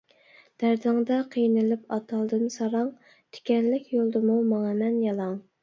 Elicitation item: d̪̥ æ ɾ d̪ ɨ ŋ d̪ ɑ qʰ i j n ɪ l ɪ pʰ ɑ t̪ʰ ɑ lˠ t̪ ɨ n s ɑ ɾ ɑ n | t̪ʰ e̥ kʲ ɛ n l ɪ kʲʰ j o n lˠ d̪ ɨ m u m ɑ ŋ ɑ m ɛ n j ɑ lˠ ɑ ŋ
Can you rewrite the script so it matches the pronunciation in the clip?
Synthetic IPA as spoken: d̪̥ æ ɾ d̪ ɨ ŋ d̪ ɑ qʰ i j n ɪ l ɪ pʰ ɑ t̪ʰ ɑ lˠ d̪ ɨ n s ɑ ɾ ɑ ŋ | t̪ʰ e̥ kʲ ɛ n l ɪ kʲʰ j o lˠ d̪ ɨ m u m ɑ ŋ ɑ m ɛ n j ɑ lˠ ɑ ŋ